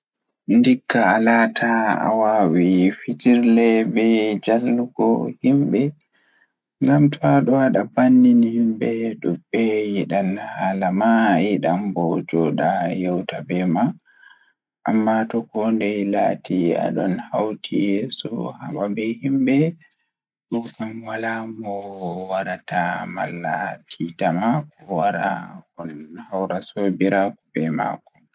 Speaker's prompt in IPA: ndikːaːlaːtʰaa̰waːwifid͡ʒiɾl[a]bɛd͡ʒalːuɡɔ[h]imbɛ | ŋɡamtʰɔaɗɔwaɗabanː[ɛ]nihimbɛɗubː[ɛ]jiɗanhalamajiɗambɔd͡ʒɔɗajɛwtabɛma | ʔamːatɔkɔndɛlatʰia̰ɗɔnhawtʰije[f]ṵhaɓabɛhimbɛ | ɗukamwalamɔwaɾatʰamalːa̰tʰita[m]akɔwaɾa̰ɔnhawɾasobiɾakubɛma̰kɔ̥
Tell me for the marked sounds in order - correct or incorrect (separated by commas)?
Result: incorrect, correct, incorrect, correct, incorrect, correct